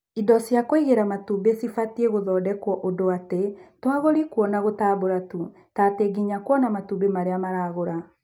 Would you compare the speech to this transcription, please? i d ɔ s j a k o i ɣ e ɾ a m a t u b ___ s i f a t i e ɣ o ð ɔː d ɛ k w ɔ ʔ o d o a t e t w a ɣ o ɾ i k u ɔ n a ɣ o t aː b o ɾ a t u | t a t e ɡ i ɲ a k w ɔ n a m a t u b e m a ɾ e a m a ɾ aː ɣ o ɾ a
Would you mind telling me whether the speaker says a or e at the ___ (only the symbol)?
e